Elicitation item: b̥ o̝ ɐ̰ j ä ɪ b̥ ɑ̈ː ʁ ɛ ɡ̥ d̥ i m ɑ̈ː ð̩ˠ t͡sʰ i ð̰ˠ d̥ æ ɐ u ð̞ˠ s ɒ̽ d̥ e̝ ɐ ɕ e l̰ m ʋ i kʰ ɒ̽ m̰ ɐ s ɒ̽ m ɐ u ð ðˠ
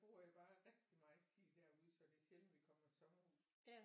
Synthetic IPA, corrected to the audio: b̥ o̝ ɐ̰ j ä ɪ b̥ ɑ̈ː ʁ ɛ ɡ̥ d̥ i m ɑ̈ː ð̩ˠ t͡sʰ i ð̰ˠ d̥ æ ɐ u ð̞ˠ s ɒ̽ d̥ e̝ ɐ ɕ e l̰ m ʋ i kʰ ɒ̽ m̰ ɐ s ɒ̽ m ɐ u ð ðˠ